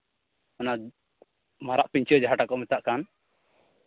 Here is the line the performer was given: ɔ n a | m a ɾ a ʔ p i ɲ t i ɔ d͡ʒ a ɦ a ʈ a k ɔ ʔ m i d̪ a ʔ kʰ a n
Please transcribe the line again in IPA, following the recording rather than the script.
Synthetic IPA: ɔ n a | m a ɾ a ʔ p i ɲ t͡ʃ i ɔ d͡ʒ a ɦ a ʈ a k ɔ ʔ m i t̪ a ʔ k a n